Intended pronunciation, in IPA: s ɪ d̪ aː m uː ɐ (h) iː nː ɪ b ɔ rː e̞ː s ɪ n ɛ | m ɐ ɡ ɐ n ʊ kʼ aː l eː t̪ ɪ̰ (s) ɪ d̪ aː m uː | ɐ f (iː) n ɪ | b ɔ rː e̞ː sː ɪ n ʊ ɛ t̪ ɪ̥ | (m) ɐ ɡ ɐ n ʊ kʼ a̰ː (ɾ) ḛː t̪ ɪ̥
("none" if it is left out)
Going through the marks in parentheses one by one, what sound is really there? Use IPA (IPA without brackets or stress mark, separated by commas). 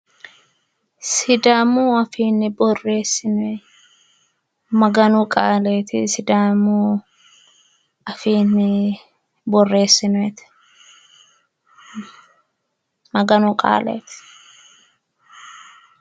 f, s, iː, m, l